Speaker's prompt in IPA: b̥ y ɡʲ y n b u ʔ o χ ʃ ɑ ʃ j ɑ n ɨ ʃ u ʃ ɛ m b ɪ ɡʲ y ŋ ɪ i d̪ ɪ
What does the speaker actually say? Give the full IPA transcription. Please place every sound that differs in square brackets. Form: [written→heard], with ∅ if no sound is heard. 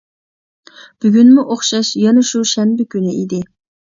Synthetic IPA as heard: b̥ y ɡʲ y n [b→m] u ʔ o χ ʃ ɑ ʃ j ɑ n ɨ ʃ u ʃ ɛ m b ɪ [ɡʲ→kʲ] y [ŋ→n] ɪ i d̪ ɪ

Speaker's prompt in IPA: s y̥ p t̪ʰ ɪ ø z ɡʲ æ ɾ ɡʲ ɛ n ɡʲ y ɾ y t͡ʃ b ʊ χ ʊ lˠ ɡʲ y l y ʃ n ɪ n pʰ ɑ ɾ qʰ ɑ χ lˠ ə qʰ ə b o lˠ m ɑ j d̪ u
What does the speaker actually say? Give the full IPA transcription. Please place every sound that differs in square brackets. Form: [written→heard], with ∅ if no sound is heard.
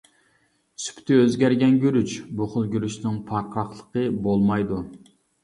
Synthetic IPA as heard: s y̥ p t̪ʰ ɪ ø z ɡʲ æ ɾ ɡʲ ɛ n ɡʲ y ɾ y t͡ʃ b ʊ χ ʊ lˠ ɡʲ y [l→ɾ] y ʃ n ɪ [n→ŋ] pʰ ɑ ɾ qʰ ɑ χ lˠ ə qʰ ə b o lˠ m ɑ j d̪ u

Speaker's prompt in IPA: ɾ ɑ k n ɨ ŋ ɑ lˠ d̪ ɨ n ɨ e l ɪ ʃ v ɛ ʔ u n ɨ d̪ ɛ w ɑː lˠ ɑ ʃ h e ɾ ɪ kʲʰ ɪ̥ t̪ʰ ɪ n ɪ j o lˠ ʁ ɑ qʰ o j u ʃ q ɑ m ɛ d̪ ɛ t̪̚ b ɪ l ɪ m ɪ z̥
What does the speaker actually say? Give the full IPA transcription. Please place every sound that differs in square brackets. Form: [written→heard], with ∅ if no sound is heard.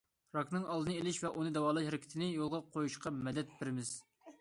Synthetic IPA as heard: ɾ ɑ k n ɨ ŋ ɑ lˠ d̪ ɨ n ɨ e l ɪ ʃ v ɛ ʔ u n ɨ d̪ ɛ w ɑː lˠ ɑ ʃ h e ɾ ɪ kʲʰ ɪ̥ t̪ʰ ɪ n ɪ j o lˠ ʁ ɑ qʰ o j u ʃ q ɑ m ɛ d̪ ɛ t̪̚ b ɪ [l→ɾ] ɪ m ɪ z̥

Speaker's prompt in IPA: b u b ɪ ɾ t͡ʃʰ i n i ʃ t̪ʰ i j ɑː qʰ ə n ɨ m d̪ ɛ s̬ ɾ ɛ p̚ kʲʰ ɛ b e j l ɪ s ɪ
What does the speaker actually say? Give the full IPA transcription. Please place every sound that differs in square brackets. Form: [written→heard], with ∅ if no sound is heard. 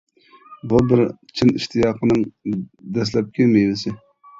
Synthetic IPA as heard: b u b ɪ ɾ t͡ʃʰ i n i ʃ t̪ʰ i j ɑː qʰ ə n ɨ [m→ŋ] d̪ ɛ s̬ [ɾ→l] ɛ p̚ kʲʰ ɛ [b→m] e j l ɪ s ɪ

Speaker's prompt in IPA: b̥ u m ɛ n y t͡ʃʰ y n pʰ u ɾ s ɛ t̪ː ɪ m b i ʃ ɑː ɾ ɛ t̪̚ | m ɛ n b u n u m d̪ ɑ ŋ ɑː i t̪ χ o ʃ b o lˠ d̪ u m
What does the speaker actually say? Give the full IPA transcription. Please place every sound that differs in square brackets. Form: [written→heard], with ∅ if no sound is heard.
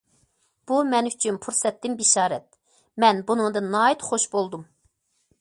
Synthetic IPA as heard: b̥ u m ɛ n y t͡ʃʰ y n pʰ u ɾ s ɛ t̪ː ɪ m b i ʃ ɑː ɾ ɛ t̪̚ | m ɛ n b u n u [m→ŋ] d̪ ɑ [ŋ→n] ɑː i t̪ χ o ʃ b o lˠ d̪ u m

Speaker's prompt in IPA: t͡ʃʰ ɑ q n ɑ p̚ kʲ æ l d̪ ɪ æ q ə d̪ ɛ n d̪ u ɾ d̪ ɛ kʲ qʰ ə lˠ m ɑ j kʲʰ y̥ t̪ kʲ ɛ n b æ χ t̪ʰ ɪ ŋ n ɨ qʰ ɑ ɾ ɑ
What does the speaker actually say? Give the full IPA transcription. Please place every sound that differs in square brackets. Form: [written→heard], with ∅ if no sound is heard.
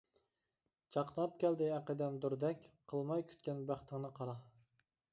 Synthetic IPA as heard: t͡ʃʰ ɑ q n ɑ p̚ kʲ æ l d̪ ɪ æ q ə d̪ ɛ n d̪ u ɾ d̪ ɛ kʲ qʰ ə lˠ m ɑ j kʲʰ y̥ t̪ kʲ ɛ n b æ χ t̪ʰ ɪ ŋ n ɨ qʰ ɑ ɾ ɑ

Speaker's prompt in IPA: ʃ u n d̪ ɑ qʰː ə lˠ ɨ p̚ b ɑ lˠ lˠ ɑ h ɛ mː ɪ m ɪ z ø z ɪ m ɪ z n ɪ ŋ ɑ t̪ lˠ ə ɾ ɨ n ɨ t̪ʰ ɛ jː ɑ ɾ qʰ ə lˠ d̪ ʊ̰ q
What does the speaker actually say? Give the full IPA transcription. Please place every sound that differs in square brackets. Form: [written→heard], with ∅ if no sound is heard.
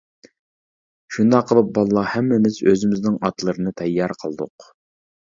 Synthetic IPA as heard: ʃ u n d̪ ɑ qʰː ə lˠ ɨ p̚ b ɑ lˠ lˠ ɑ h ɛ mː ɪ m ɪ z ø z ɪ m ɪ z n ɪ ŋ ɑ t̪ lˠ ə ɾ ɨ n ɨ t̪ʰ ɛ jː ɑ ɾ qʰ ə lˠ d̪ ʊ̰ q

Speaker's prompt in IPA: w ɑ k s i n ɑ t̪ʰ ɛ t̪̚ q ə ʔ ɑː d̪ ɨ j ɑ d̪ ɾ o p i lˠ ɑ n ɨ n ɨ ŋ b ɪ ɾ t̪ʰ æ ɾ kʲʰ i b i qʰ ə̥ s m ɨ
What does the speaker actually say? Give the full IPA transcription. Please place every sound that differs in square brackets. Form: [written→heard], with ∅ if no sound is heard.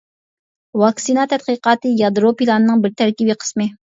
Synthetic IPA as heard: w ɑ k s i n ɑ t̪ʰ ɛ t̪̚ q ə [ʔ→q] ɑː [d̪→t̪] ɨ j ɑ d̪ ɾ o p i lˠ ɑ n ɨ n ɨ ŋ b ɪ ɾ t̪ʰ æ ɾ [kʲʰ→kʲ] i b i qʰ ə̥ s m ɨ

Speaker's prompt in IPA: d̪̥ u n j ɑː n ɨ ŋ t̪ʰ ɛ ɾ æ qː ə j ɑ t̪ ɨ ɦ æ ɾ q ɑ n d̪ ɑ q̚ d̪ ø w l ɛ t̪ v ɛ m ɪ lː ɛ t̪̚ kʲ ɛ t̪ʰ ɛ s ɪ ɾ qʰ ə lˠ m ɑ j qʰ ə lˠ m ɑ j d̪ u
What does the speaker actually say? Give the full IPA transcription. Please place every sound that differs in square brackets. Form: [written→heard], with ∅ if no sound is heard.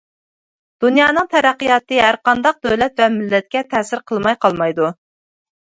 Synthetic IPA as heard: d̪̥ u n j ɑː n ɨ ŋ t̪ʰ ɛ ɾ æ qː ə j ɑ t̪ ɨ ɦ æ ɾ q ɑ n d̪ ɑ q̚ d̪ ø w l ɛ t̪ v ɛ m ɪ lː ɛ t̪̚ kʲ ɛ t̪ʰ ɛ s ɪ ɾ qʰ ə lˠ m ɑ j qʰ [ə→ɑ] lˠ m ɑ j d̪ u

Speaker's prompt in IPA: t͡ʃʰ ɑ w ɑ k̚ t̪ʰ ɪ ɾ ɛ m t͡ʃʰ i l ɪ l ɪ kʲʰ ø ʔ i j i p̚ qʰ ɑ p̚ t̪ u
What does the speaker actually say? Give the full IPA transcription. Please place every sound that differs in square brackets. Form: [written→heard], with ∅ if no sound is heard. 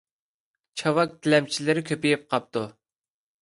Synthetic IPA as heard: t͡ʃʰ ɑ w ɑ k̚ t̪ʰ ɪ [ɾ→l] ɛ m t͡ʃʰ i l ɪ [l→ɾ] ɪ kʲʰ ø [ʔ→p] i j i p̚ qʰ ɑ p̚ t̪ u

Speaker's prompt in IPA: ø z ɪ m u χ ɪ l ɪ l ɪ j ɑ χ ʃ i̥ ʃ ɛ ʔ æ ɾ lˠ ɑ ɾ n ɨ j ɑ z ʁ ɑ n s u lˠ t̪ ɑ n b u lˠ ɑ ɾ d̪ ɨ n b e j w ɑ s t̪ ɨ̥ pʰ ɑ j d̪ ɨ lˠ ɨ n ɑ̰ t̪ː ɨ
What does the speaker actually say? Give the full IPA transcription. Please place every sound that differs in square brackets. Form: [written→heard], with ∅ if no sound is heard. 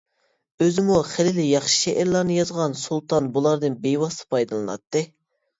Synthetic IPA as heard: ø z ɪ m u χ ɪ l ɪ l ɪ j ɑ χ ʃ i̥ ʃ ɛ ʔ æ ɾ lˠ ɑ ɾ n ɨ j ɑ z ʁ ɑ n s u lˠ t̪ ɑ n b u lˠ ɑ ɾ d̪ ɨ n b e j w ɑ s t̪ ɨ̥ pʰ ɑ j d̪ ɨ lˠ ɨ n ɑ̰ t̪ː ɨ

